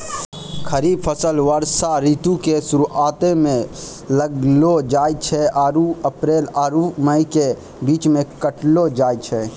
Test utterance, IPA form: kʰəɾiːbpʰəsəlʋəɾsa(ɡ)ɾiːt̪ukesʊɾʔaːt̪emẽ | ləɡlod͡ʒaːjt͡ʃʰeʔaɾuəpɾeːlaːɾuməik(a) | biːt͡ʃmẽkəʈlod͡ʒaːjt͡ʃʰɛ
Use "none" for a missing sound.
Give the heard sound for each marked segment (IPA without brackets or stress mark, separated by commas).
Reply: none, e